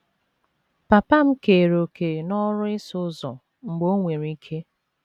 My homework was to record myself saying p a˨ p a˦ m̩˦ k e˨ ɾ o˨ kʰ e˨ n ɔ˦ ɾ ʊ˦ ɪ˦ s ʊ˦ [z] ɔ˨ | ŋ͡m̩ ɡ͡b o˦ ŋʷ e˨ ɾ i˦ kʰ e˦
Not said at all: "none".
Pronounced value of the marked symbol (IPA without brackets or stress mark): z